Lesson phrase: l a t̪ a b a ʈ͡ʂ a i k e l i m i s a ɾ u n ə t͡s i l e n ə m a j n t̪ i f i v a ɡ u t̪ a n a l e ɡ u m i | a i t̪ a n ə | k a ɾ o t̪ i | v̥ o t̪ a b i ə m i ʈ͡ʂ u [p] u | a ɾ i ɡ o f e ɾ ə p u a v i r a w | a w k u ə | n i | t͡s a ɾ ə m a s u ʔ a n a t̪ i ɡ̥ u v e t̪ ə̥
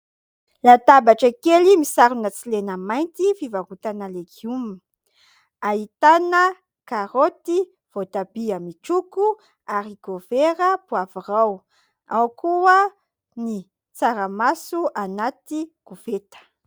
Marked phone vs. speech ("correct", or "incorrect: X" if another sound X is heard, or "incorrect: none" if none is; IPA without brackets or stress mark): incorrect: k